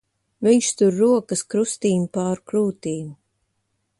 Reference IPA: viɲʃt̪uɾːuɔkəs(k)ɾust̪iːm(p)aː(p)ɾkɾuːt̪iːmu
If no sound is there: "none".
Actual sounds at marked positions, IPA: k, p, none

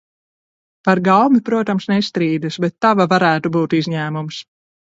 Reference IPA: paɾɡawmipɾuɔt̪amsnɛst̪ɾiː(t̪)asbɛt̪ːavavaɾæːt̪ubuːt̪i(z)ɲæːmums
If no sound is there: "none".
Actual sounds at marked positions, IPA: d̪, z

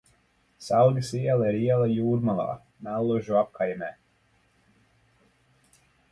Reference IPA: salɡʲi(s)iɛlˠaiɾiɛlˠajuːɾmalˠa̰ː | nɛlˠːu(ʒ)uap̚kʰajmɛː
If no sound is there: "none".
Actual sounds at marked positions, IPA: s, ʒ

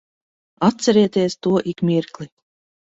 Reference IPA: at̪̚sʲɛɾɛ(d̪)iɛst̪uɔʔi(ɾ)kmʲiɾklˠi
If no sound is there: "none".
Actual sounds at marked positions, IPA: t̪, none

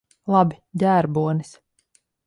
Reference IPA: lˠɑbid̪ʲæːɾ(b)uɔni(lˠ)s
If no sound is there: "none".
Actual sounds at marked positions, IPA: b, none

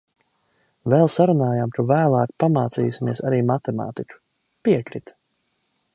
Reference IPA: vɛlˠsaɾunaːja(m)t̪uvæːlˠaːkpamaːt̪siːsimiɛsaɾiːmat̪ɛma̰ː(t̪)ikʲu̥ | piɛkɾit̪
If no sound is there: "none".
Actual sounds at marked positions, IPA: m, t̪

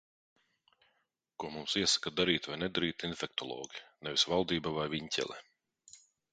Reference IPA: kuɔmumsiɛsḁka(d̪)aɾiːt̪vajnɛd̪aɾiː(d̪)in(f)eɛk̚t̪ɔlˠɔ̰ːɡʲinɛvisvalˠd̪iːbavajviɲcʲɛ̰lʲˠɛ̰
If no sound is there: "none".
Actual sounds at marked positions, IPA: d̪, t̪, f

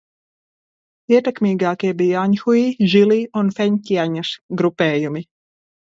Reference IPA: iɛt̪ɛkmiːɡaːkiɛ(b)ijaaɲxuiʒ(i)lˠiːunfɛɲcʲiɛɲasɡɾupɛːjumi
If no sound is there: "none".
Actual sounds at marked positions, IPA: b, i

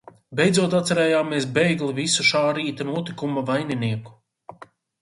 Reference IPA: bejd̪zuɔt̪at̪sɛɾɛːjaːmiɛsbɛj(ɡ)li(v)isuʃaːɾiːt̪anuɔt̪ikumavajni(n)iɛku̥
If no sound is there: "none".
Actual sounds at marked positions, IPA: ɡ, v, n

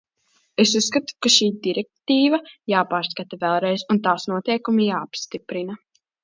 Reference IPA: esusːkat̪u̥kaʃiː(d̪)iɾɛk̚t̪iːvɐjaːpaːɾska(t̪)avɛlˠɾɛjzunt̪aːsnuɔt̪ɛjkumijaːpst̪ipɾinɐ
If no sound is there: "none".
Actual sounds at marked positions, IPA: d̪, t̪

